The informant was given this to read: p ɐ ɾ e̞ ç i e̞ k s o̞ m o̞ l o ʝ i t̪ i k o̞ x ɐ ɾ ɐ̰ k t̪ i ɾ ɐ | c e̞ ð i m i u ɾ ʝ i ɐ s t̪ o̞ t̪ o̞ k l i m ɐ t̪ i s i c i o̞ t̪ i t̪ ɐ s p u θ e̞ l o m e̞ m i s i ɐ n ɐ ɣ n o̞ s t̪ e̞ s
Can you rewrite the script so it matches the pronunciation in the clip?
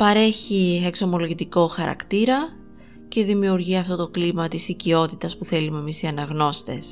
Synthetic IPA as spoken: p ɐ ɾ e̞ ç i e̞ k s o̞ m o̞ l o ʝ i t̪ i k o̞ x ɐ ɾ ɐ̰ k t̪ i ɾ ɐ | c e̞ ð i m i u ɾ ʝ i ɐ f t̪ o̞ t̪ o̞ k l i m ɐ t̪ i s i c i o̞ t̪ i t̪ ɐ s p u θ e̞ l u m e̞ m i s i ɐ n ɐ ɣ n o̞ s t̪ e̞ s